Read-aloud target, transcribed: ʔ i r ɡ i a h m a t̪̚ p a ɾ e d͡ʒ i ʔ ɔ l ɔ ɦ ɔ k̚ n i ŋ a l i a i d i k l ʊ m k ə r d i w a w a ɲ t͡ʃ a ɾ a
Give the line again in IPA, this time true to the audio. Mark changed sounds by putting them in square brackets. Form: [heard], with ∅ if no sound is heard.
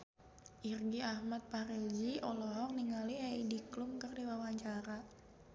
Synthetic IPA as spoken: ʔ i r ɡ i a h m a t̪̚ p a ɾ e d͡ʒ i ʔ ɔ l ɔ ɦ ɔ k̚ n i ŋ a l i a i d i k l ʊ m k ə r d i w a w a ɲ t͡ʃ a ɾ a